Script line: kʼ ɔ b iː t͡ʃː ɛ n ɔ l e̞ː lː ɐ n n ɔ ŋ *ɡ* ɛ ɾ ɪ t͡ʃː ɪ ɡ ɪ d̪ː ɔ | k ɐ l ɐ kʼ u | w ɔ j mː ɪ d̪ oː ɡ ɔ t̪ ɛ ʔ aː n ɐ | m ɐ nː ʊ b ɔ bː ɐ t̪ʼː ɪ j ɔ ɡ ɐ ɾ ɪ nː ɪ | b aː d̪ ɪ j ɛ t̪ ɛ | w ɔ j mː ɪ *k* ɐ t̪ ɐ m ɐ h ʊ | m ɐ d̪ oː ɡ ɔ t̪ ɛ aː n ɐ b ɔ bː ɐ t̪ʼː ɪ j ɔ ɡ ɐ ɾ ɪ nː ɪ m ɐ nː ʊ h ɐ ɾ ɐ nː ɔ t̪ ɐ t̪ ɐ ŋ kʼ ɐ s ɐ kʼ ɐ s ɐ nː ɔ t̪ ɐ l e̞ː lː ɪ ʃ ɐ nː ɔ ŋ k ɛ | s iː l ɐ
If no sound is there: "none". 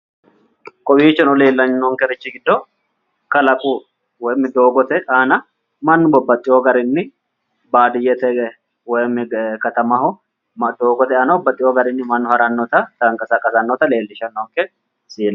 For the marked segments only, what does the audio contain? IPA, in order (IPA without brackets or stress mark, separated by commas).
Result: k, k